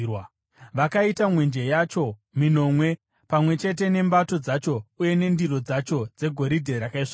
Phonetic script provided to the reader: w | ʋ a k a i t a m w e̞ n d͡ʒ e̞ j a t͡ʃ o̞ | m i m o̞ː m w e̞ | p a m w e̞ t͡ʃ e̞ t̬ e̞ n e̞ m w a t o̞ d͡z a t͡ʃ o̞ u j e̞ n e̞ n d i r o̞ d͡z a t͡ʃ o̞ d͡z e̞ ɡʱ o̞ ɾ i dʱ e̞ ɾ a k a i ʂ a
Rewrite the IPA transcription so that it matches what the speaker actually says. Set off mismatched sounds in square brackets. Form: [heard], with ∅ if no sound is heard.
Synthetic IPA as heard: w | ʋ a k a i t a m w e̞ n d͡ʒ e̞ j a t͡ʃ o̞ | m i [n] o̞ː m w e̞ | p a m w e̞ t͡ʃ e̞ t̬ e̞ n e̞ m [b] a t o̞ d͡z a t͡ʃ o̞ u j e̞ n e̞ n d i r o̞ d͡z a t͡ʃ o̞ d͡z e̞ ɡʱ o̞ ɾ i dʱ e̞ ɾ a k a i ʂ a